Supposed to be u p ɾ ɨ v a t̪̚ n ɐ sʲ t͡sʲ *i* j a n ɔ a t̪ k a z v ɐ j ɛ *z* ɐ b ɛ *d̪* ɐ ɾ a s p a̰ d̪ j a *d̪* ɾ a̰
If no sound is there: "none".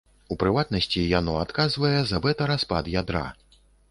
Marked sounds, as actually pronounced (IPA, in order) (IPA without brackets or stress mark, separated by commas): i, z, t̪, d̪